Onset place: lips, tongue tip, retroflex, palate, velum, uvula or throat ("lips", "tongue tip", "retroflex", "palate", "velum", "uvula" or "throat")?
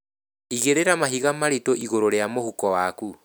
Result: velum